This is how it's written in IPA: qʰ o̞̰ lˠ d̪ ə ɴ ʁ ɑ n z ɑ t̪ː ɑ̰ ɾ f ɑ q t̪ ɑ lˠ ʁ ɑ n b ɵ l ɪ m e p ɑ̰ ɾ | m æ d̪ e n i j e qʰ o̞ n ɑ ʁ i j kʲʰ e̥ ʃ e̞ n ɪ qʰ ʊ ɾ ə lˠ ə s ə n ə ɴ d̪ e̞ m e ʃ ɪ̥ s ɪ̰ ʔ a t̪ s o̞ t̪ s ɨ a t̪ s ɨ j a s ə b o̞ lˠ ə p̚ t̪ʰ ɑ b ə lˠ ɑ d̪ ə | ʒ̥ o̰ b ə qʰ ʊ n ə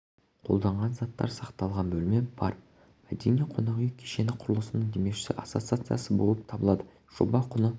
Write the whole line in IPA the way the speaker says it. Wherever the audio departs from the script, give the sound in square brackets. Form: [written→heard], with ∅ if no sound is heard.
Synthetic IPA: qʰ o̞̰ lˠ d̪ [ə→ɑ] ɴ ʁ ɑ n z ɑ t̪ː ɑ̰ ɾ [f→s] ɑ q t̪ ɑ lˠ ʁ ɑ n b ɵ l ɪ m e [p→b] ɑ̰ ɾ | m æ d̪ e n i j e qʰ o̞ n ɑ ʁ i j kʲʰ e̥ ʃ e̞ n ɪ qʰ ʊ ɾ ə lˠ ə s ə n ə ɴ d̪ e̞ m e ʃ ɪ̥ s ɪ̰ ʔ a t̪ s o̞ t̪ s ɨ a t̪ s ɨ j a s ə b o̞ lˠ ə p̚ t̪ʰ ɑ b ə lˠ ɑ d̪ ə | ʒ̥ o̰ b [ə→ɑ] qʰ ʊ n ə